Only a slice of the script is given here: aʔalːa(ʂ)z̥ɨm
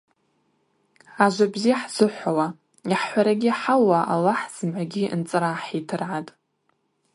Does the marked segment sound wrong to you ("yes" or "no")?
yes